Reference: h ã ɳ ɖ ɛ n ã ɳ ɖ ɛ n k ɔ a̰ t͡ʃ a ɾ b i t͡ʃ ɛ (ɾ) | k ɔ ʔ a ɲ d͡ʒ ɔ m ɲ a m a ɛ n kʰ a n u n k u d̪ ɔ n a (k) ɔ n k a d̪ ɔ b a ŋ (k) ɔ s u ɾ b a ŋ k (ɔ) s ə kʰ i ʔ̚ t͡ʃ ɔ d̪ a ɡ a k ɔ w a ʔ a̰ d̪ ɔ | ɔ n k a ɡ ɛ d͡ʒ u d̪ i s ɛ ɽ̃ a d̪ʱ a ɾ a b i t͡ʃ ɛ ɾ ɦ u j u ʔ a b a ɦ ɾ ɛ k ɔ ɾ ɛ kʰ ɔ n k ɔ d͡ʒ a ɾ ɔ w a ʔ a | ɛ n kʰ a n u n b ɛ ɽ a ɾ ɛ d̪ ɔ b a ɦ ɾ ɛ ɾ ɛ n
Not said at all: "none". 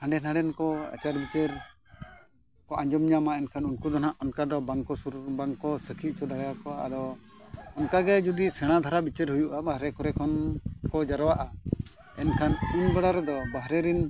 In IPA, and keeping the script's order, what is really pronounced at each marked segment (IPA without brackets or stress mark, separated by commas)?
ɾ, ʔ, k, ɔ